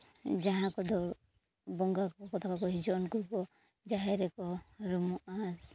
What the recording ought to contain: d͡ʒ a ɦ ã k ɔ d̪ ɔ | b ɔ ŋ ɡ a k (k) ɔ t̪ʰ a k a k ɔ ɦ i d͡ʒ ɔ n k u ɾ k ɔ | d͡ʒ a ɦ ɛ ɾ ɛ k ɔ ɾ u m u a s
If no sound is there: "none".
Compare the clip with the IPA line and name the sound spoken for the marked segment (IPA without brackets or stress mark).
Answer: k